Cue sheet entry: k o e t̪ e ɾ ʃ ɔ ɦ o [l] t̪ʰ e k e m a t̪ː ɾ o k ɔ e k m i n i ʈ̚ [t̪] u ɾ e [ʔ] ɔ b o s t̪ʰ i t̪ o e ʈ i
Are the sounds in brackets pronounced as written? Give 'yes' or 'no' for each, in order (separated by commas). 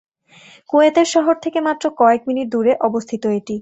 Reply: no, no, yes